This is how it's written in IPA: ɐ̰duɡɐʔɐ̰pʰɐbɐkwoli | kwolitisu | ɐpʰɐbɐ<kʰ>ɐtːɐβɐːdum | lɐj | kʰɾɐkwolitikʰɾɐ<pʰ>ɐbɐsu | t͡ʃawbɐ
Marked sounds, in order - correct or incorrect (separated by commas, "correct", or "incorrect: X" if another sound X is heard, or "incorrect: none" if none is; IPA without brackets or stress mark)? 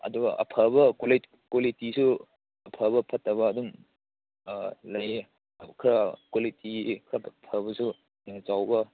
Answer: incorrect: pʰ, correct